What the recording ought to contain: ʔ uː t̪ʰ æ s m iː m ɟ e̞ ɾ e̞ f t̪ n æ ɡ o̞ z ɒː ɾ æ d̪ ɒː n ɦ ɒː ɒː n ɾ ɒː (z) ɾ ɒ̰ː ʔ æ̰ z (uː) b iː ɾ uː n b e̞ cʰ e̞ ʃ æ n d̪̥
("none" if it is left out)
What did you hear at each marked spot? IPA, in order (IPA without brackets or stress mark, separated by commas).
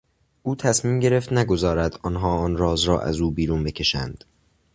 z, uː